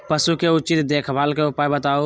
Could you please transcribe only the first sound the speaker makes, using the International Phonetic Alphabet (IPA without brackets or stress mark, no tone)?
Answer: p